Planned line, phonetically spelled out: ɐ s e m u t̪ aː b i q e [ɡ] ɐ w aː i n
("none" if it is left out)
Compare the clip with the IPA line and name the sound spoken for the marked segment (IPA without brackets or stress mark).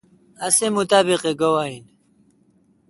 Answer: ɡ